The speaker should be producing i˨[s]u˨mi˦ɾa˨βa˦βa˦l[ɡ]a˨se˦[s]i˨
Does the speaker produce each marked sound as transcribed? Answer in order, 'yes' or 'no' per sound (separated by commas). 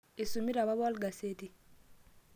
yes, yes, no